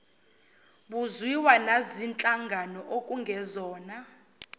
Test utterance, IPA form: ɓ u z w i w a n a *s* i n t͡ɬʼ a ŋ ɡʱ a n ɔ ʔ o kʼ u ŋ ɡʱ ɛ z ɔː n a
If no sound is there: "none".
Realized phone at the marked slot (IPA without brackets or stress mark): z